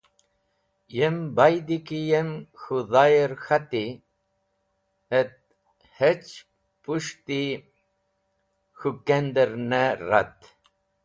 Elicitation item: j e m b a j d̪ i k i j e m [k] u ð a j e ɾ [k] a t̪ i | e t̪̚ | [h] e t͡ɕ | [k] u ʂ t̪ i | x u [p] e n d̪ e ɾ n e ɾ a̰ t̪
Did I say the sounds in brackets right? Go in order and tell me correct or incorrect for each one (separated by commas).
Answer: incorrect, incorrect, correct, incorrect, incorrect